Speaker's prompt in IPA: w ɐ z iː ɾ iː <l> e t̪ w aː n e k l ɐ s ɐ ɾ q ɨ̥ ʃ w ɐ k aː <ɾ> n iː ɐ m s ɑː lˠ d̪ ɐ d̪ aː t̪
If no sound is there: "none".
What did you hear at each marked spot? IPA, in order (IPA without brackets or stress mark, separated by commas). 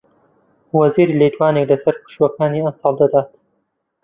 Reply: l, none